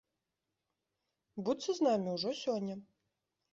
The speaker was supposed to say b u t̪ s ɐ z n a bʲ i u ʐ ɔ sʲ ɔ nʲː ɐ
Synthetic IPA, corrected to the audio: b u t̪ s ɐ z n a mʲ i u ʐ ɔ sʲ ɔ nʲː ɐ